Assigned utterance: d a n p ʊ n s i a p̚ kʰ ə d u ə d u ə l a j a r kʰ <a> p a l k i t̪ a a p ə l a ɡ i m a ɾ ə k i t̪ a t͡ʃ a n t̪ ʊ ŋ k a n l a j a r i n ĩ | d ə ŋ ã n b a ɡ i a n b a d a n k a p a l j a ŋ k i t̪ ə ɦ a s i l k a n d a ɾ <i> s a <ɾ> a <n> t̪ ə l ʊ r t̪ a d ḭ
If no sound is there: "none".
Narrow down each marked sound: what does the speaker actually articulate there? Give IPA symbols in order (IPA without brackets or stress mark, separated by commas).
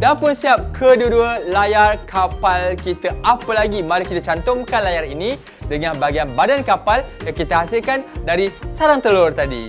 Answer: a, i, ɾ, ŋ